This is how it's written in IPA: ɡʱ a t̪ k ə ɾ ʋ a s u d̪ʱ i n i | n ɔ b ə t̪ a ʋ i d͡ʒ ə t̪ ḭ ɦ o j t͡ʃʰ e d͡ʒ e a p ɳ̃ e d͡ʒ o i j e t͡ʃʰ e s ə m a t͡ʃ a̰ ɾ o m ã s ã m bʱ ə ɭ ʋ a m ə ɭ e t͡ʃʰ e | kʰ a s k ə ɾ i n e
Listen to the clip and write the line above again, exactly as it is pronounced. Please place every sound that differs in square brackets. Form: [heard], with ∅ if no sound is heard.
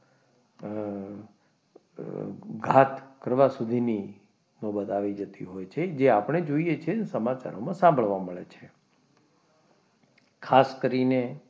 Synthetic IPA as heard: ɡʱ a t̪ k ə ɾ ʋ a s u d̪ʱ i n i | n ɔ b ə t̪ a ʋ i d͡ʒ ə t̪ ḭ ɦ o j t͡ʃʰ e d͡ʒ e a p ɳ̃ e d͡ʒ o i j e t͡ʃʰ e s ə m a t͡ʃ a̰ ɾ o m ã s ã m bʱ ə ɭ ʋ a m ə ɭ e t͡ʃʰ e | kʰ a s k ə ɾ i n e